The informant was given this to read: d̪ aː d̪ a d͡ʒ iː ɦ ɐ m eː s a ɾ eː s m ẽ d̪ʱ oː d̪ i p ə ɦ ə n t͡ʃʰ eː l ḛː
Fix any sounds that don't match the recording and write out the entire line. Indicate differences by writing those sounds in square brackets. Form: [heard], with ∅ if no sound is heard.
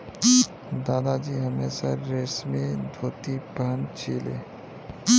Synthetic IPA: d̪ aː d̪ a d͡ʒ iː ɦ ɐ m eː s a ɾ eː s m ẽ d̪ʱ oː [t̪] i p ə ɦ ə n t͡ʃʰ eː l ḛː